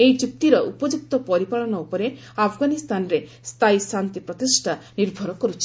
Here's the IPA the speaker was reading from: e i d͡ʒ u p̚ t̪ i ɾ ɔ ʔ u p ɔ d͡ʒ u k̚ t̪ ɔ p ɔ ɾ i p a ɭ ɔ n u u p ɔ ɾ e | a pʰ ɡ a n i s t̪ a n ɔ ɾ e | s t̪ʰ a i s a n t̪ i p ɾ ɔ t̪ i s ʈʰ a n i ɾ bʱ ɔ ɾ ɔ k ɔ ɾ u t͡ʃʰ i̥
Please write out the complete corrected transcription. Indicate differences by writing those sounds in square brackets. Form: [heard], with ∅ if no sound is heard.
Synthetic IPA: e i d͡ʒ u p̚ t̪ i ɾ ɔ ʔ u p ɔ d͡ʒ u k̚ t̪ ɔ p ɔ ɾ i p a ɭ ɔ n [ɔ] u p ɔ ɾ e | a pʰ ɡ a n i s t̪ a n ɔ ɾ e | s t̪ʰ a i s a n t̪ i p ɾ ɔ t̪ i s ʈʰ a n i ɾ bʱ ɔ ɾ ɔ k ɔ ɾ u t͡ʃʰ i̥